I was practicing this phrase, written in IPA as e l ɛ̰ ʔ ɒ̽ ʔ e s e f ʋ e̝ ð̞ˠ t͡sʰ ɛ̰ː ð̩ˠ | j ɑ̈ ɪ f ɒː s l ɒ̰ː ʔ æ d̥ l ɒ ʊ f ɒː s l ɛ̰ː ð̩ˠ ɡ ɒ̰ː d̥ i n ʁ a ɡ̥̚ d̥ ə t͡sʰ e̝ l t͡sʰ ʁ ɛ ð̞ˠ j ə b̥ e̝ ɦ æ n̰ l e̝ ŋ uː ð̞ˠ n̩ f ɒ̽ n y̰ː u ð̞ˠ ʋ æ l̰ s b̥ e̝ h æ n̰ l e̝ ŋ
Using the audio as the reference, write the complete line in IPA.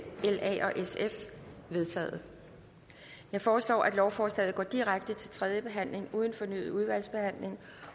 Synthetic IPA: e l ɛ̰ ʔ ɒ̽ ʔ e s e f ʋ e̝ ð̞ˠ t͡sʰ ɛ̰ː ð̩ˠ | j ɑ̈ ɪ f ɒː s l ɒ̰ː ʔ æ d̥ l ɒ ʊ f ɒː s l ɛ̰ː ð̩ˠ ɡ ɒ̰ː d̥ i ʁ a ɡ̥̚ d̥ ə t͡sʰ e̝ l t͡sʰ ʁ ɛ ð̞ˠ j ə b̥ e̝ ɦ æ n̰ l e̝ ŋ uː ð̞ˠ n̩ f ɒ̽ n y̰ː u ð̞ˠ ʋ æ l̰ s b̥ e̝ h æ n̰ l e̝ ŋ

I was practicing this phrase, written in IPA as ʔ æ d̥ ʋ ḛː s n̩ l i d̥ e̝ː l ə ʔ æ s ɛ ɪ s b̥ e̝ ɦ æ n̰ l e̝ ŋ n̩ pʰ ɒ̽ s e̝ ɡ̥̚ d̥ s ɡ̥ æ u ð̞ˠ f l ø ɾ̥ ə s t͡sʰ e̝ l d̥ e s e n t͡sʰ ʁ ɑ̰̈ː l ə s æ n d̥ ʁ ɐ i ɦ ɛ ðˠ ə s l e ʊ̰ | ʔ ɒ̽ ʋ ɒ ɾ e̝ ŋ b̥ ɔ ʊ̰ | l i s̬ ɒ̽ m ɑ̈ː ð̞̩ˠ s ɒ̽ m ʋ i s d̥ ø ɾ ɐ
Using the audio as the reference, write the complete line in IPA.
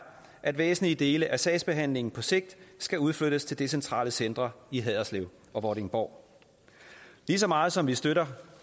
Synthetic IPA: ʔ æ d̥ ʋ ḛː s n̩ l i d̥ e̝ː l ə ʔ æ s ɛ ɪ s b̥ e̝ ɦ æ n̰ l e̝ ŋ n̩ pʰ ɒ̽ s e̝ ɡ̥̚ d̥ s ɡ̥ æ u ð̞ˠ f l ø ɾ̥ ə s t͡sʰ e̝ l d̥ e s e n t͡sʰ ʁ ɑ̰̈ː l ə s e n d̥ ʁ ɐ i ɦ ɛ ðˠ ɐ s l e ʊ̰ | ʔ ɒ̽ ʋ ɒ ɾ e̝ ŋ b̥ ɒ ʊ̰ | l i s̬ ɒ̽ m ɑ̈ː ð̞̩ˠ s ɒ̽ m ʋ i s d̥ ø ɾ ɐ

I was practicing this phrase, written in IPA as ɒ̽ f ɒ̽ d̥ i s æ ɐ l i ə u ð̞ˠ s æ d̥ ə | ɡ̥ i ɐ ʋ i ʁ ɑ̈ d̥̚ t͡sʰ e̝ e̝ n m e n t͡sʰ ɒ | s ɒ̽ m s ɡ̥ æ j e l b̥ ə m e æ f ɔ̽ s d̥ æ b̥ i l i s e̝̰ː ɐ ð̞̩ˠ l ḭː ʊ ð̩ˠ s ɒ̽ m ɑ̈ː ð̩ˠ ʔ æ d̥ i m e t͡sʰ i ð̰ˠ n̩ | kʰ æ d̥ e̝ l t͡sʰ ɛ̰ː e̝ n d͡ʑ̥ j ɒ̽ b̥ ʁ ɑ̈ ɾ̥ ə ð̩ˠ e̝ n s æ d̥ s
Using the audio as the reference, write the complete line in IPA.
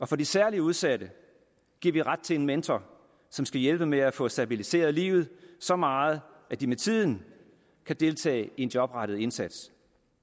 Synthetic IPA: ɒ̽ f ɒ̽ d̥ i s æ ɐ l i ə u ð̞ˠ s æ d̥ ə | ɡ̥ i ɐ ʋ i ʁ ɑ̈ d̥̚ t͡sʰ e̝ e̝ n m e n t͡sʰ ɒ | s ɒ̽ m s ɡ̥ æ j e l b̥ ə m e æ f ɔ̽ s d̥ æ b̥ i l i s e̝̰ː ɐ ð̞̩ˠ l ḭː ʊ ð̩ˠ s ɒ̽ m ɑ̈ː ð̩ˠ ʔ æ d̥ i m e t͡sʰ i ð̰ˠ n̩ | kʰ æ d̥ e̝ l t͡sʰ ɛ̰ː e̝ n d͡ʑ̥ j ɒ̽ b̥ ʁ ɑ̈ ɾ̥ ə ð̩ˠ e̝ n s æ d̥ s

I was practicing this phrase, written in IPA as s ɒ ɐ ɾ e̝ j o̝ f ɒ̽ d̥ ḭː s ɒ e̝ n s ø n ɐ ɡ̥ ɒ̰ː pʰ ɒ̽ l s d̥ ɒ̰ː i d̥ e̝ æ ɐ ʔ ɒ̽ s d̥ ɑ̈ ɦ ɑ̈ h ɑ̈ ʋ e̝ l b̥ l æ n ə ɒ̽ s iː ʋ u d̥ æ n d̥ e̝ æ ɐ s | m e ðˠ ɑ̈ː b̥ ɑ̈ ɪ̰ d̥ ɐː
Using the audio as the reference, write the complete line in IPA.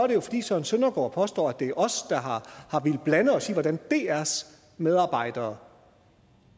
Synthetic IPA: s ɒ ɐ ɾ e̝ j o̝ f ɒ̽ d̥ ḭː s ɒ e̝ n s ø n ɐ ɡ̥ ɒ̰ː pʰ ɒ̽ s d̥ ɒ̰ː æ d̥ e̝ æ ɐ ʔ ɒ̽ s d̥ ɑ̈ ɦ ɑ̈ h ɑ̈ ʋ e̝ l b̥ l æ n ə ɒ̽ s iː ʋ ɒ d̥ æ n d̥ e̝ æ ɐ s | m e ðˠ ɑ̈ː b̥ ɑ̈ ɪ̰ d̥ ɐː

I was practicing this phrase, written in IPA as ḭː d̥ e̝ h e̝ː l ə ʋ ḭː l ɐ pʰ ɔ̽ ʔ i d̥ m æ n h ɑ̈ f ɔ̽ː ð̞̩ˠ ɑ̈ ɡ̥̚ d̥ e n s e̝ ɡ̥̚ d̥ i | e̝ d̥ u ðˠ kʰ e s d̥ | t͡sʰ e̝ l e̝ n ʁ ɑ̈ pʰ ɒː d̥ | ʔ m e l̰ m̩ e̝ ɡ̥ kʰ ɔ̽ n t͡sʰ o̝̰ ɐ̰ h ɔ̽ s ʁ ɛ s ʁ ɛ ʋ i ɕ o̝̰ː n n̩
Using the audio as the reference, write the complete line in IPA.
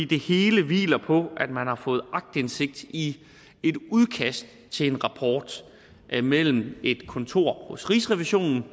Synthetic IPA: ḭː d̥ e̝ h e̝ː l ə ʋ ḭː l ɐ pʰ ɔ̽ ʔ æ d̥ m æ n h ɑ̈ f ɔ̽ː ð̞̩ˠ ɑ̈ ɡ̥̚ d̥ e n s e̝ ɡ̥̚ d̥ i | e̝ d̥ u ðˠ kʰ æ s d̥ | t͡sʰ e̝ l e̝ n ʁ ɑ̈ pʰ ɒː d̥ | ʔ m e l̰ m̩ e̝ d̥ kʰ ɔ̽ n t͡sʰ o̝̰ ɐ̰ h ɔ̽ s ʁ i s ʁ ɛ ʋ i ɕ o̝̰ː n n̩

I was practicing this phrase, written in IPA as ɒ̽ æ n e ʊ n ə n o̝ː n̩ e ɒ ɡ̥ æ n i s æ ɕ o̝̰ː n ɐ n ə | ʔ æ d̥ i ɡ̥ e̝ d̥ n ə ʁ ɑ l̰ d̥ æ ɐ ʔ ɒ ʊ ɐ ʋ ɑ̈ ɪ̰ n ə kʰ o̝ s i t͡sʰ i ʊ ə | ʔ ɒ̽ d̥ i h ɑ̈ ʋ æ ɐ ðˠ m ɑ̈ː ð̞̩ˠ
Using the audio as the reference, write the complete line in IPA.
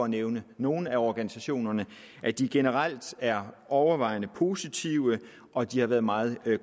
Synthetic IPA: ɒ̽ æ n e ʊ n ə n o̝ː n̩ æ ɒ ɡ̥ æ n i s æ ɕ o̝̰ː n ɐ n ə | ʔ æ d̥ i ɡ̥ e̝ n ə ʁ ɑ l̰ d̥ æ ɐ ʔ ɒ ʊ ɐ ʋ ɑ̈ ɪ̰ n ə pʰ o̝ s i t͡sʰ i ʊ ə | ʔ ɒ̽ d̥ i h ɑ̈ ʋ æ ɐ ðˠ m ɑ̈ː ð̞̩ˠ

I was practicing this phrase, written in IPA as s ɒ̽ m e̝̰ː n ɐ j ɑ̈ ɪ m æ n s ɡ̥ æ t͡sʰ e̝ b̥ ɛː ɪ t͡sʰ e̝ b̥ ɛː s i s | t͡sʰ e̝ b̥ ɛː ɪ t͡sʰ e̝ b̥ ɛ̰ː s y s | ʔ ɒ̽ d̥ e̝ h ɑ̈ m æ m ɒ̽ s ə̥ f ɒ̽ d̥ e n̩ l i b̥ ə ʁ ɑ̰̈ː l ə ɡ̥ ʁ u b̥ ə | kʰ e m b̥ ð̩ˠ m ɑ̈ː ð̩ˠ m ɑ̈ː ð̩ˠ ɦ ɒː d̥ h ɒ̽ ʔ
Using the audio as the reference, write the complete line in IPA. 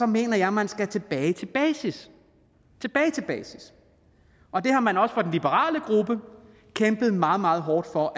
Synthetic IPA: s ɒ̽ m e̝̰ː n ɐ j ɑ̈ ɪ m æ n s ɡ̥ æ t͡sʰ e̝ b̥ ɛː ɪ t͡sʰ e̝ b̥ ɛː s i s | t͡sʰ e̝ b̥ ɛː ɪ t͡sʰ e̝ b̥ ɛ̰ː s i s | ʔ ɒ̽ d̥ e̝ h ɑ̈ m æ n ɒ̽ s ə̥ f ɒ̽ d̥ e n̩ l i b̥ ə ʁ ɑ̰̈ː l ə ɡ̥ ʁ u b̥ ə | kʰ e m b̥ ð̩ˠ m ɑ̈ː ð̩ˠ m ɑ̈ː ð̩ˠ ɦ ɒː d̥ f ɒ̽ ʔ

